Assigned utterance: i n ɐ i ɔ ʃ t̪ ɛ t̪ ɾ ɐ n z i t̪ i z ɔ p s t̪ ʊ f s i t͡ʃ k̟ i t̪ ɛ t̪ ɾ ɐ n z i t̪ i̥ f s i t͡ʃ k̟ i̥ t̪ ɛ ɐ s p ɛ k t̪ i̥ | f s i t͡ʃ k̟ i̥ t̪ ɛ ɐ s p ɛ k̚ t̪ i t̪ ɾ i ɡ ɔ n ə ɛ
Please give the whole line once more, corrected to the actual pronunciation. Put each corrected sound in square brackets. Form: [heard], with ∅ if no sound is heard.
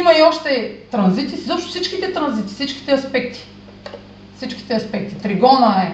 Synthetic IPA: i [m] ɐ i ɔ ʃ t̪ ɛ t̪ ɾ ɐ n z i t̪ i z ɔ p [ʃ] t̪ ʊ f s i t͡ʃ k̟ i t̪ ɛ t̪ ɾ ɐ n z i t̪ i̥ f s i t͡ʃ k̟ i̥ t̪ ɛ ɐ s p ɛ k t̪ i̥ | f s i t͡ʃ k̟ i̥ t̪ ɛ ɐ s p ɛ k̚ t̪ i t̪ ɾ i ɡ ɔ n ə ɛ